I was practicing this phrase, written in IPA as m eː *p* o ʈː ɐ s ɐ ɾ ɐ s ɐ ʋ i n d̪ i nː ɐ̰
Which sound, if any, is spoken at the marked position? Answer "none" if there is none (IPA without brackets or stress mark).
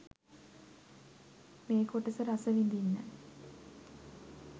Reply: k